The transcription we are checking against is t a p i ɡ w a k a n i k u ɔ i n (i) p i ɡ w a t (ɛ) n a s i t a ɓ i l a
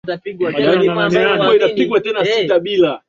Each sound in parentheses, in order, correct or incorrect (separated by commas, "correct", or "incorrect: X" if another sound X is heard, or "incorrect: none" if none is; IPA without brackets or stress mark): incorrect: a, correct